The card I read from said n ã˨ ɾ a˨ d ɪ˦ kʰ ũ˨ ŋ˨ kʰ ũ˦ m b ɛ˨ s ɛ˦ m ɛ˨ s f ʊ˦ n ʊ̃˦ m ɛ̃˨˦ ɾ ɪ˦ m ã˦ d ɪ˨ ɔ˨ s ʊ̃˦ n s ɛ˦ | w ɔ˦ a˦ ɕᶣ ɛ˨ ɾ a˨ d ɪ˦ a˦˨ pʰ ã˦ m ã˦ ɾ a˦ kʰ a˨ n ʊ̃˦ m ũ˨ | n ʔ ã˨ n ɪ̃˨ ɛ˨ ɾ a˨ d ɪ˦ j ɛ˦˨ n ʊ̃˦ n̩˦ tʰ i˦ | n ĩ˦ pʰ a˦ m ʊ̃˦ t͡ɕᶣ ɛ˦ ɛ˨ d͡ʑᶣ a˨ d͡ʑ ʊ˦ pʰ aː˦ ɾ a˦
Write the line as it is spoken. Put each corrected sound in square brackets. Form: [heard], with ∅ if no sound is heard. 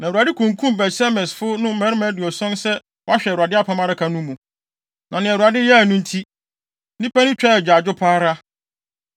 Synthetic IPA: n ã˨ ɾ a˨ d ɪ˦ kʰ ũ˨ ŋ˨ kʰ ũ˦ m b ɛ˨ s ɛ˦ m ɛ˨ s f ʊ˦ n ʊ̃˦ m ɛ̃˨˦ ɾ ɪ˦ m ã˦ d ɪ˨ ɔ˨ s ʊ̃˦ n s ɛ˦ | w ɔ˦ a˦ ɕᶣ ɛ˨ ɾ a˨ d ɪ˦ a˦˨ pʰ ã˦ m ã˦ ɾ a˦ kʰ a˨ n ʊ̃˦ m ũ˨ | n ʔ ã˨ n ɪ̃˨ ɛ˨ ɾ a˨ d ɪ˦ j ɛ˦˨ n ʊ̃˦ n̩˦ tʰ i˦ | n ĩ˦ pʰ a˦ [n] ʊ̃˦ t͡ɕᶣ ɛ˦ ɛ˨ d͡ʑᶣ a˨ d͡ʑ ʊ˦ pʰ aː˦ ɾ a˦